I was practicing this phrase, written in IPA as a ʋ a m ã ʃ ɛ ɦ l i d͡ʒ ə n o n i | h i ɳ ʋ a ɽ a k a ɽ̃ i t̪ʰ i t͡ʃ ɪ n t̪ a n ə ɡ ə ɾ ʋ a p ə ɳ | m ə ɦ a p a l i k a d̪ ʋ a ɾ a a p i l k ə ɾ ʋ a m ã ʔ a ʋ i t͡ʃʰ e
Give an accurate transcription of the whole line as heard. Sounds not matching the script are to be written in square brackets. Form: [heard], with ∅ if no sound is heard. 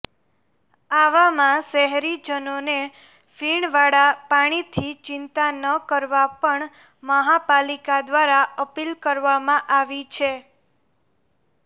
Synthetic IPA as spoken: a ʋ a m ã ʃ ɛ ɦ [ɾ] i d͡ʒ ə n o n [e] | [f] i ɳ ʋ a ɽ a [p] a ɽ̃ i t̪ʰ i t͡ʃ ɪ n t̪ a n ə [k] ə ɾ ʋ a p ə ɳ | m ə ɦ a p a l i k a d̪ ʋ a ɾ a [ə] p i l k ə ɾ ʋ a m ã ʔ a ʋ i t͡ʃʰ e